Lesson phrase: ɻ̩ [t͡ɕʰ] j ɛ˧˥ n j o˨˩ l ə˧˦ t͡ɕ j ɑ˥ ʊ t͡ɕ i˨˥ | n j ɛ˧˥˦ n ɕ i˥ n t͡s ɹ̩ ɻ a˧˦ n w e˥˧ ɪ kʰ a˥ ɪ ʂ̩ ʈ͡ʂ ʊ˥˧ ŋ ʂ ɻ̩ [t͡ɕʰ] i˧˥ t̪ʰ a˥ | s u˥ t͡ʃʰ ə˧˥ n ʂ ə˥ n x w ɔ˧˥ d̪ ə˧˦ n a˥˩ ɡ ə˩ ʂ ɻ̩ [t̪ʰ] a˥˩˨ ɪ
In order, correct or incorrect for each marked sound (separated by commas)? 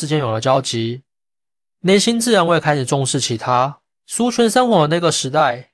incorrect, correct, incorrect